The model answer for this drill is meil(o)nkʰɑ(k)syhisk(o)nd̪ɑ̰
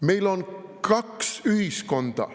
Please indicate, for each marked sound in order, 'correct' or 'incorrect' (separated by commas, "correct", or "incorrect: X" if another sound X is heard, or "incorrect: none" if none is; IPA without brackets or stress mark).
correct, correct, correct